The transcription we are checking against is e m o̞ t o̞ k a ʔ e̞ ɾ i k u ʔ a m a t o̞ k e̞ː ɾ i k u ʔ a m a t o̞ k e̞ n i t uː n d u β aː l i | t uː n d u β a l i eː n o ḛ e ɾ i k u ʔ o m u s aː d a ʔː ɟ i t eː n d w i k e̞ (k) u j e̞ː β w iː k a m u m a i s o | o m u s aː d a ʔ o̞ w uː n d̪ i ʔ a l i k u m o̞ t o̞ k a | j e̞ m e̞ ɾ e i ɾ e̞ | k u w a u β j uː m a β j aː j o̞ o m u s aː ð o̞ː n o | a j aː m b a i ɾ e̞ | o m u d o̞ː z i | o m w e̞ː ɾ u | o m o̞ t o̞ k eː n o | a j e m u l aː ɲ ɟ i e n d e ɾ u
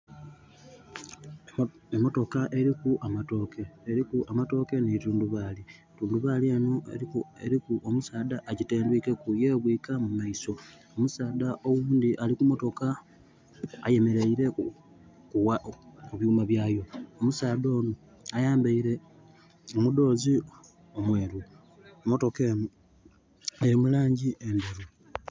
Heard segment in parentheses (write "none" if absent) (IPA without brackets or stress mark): k